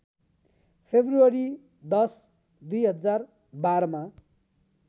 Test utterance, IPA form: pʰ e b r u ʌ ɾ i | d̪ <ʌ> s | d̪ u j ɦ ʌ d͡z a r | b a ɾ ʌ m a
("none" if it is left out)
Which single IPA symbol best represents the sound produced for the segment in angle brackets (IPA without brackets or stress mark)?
ʌ